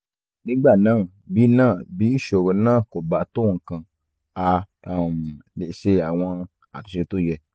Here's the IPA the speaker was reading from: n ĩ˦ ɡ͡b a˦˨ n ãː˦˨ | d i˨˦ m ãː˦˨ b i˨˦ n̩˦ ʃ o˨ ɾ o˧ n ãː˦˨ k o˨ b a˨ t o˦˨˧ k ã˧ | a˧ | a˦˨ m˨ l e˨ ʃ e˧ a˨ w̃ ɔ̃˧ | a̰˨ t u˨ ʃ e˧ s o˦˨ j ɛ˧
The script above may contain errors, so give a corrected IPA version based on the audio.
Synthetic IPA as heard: n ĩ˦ ɡ͡b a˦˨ n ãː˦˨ | b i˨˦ n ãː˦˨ b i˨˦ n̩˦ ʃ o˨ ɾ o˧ n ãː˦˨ k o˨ b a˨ t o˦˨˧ k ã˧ | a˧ | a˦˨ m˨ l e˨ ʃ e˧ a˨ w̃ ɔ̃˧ | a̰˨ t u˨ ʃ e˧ t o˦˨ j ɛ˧